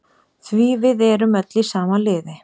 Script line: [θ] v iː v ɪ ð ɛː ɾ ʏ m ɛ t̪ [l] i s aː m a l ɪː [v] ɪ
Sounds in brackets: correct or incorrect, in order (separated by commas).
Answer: correct, correct, incorrect